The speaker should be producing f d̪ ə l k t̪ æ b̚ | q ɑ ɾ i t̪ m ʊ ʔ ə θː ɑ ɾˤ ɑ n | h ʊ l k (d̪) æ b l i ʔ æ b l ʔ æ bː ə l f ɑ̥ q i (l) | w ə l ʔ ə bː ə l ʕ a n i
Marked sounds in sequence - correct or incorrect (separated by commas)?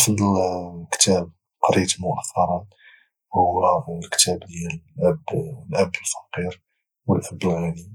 incorrect, incorrect